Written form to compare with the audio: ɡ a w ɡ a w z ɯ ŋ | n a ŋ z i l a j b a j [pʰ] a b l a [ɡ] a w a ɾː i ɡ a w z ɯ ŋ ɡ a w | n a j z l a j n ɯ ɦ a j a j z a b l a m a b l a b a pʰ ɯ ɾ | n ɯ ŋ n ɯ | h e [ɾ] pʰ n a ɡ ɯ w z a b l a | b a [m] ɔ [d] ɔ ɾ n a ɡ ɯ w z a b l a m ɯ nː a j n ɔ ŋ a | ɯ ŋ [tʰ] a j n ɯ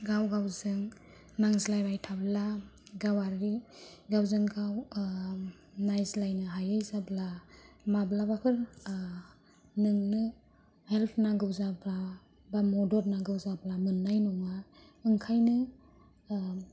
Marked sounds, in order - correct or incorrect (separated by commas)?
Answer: incorrect, correct, incorrect, correct, correct, incorrect